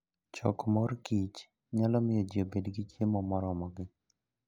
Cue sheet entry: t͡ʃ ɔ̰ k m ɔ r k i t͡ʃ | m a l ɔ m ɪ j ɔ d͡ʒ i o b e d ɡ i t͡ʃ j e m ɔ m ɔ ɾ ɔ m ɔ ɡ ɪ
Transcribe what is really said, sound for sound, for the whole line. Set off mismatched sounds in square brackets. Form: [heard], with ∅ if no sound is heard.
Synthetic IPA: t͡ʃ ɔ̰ k m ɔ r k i t͡ʃ | [ɲ] a l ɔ m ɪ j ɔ d͡ʒ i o b e d ɡ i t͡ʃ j e m ɔ m ɔ ɾ ɔ m ɔ ɡ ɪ